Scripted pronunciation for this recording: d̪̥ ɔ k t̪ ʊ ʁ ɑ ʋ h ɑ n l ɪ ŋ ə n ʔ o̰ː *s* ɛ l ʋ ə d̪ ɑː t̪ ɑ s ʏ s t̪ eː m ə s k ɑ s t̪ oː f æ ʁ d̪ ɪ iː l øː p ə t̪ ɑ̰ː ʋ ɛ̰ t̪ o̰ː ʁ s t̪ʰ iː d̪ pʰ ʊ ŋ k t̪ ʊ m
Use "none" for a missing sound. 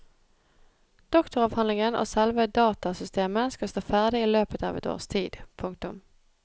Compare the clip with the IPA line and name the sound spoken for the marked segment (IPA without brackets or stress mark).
s